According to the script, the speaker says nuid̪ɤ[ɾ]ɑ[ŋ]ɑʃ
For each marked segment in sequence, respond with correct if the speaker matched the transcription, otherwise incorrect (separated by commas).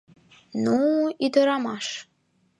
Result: correct, incorrect